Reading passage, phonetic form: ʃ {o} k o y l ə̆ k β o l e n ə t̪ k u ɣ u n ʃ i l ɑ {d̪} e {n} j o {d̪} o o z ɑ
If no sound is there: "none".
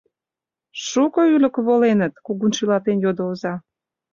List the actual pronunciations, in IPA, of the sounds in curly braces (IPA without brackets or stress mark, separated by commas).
u, t̪, n, d̪